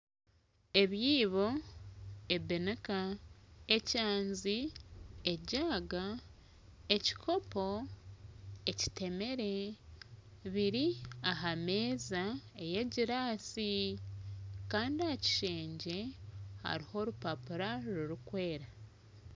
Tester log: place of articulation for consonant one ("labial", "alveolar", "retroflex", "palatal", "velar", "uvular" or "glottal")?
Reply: labial